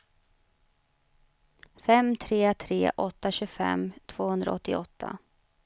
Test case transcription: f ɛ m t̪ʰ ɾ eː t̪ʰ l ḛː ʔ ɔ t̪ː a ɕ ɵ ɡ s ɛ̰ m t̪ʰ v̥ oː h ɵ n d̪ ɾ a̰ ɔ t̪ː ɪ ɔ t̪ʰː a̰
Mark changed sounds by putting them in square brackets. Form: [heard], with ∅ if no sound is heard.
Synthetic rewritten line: f ɛ m t̪ʰ ɾ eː t̪ʰ [ɾ] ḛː ʔ ɔ t̪ː a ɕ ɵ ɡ [f] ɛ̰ m t̪ʰ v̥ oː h ɵ n d̪ ɾ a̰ ɔ t̪ː ɪ ɔ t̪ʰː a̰